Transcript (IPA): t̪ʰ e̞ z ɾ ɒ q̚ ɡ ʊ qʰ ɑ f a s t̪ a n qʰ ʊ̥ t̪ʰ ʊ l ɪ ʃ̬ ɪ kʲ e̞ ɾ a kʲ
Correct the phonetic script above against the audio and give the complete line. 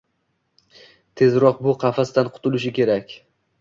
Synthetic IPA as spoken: t̪ʰ e̞ z ɾ ɒ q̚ b ʊ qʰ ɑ f a s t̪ a n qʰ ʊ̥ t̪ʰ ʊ l ɪ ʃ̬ ɪ kʲ e̞ ɾ a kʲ